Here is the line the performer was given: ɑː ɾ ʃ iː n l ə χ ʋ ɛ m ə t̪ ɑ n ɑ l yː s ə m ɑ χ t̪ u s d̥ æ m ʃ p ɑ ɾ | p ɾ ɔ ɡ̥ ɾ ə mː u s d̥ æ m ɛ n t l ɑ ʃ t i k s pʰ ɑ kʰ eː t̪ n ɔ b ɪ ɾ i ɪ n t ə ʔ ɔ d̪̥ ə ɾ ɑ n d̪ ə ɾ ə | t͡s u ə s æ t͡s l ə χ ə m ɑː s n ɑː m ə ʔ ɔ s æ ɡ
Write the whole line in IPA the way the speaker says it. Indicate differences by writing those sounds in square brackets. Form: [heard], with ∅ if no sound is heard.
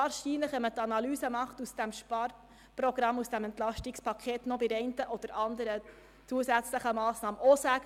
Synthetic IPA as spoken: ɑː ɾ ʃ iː n l ə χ ʋ ɛ m ə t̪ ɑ n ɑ l yː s ə m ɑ χ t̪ u s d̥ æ m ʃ p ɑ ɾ | p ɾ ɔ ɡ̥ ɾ [ɑ] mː u s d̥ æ m ɛ n t l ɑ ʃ t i k s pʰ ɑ kʰ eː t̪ n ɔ b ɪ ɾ [ɛ] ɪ n t ə ʔ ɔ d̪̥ ə ɾ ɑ n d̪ ə ɾ ə | t͡s u ə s æ t͡s l ə χ ə m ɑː s n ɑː m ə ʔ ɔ s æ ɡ